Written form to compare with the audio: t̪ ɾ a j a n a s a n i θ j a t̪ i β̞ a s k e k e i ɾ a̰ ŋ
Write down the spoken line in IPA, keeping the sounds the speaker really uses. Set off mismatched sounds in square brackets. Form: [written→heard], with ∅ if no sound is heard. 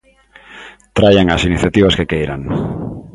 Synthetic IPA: t̪ ɾ a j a [n→ŋ] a s [a→i] n i θ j a t̪ i β̞ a s k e k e [i→j] ɾ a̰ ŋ